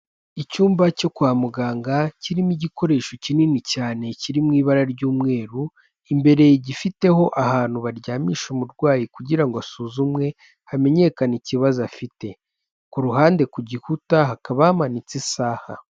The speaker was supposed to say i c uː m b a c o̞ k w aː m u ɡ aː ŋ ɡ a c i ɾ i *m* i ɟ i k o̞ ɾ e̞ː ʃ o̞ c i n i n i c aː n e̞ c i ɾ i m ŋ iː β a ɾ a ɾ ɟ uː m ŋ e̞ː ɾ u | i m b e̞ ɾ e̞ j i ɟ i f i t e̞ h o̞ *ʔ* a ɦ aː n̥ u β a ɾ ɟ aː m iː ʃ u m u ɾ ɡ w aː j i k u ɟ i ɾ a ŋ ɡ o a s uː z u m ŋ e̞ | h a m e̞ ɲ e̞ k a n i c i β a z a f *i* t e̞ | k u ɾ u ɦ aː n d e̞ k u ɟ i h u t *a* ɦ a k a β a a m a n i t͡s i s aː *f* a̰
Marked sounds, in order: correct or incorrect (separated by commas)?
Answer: correct, correct, correct, correct, incorrect